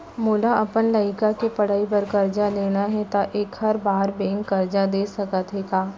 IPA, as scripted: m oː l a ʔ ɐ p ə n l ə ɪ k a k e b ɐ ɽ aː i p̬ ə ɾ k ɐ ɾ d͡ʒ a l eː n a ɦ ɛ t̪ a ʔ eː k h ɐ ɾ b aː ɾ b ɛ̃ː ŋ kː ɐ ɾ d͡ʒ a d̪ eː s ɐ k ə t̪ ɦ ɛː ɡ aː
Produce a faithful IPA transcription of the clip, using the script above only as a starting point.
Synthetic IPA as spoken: m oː l a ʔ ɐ p ə n l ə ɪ k a k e p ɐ ɽ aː i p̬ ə ɾ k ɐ ɾ d͡ʒ a l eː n a ɦ ɛ t̪ a ʔ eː k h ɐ ɾ b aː ɾ b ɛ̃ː ŋ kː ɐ ɾ d͡ʒ a d̪ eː s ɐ k ə t̪ ɦ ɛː ɡ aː